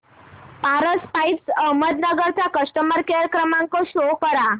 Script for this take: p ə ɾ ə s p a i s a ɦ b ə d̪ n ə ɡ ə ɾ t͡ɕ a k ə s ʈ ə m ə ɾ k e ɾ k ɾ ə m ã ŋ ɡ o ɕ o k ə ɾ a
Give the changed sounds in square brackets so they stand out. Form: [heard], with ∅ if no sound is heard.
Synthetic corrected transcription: p [a] ɾ ə s p a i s [ə] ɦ [m] ə d̪ n ə ɡ ə ɾ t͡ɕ a k ə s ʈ ə m ə ɾ k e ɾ k ɾ ə m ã ŋ [k] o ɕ o k ə ɾ a